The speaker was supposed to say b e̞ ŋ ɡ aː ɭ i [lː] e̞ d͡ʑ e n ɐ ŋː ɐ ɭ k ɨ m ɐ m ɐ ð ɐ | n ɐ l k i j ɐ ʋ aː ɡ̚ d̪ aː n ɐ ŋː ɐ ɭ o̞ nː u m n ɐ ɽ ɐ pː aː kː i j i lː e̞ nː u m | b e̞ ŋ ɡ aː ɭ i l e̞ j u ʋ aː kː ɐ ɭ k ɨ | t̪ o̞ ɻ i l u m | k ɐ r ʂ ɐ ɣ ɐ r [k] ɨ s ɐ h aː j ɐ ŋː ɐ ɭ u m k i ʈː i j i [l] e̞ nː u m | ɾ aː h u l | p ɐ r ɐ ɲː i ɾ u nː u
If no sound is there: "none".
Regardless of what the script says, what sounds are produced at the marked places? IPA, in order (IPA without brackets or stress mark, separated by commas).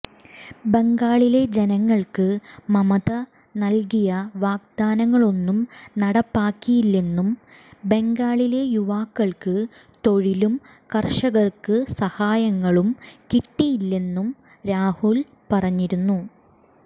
l, k, lː